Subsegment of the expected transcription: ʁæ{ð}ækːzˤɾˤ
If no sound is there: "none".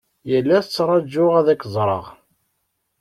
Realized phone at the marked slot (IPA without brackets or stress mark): ð